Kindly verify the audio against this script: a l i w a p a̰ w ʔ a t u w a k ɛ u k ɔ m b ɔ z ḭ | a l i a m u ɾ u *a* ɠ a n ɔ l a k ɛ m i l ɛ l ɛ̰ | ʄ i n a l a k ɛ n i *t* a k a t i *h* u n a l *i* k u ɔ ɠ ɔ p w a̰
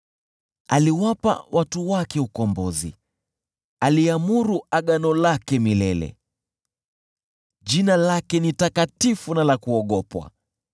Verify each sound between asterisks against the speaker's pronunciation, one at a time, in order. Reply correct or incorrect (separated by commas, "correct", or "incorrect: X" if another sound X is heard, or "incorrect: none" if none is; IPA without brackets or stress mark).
correct, correct, incorrect: f, incorrect: a